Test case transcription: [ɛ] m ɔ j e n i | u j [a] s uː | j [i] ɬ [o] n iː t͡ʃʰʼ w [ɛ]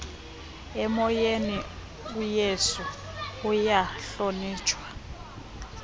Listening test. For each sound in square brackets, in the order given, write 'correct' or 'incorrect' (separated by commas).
correct, incorrect, incorrect, correct, incorrect